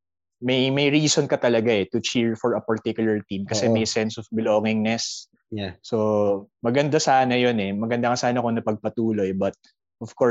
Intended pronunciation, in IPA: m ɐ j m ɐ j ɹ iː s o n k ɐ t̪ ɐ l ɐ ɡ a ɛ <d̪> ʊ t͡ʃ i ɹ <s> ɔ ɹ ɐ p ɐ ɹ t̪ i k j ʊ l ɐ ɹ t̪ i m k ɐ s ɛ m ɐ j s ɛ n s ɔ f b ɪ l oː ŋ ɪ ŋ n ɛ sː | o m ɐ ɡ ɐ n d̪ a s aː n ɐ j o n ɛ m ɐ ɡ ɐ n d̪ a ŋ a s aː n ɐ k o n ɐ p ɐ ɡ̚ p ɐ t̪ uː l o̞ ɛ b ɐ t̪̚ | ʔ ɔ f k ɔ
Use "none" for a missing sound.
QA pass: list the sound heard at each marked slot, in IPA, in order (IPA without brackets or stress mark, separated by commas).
t̪, f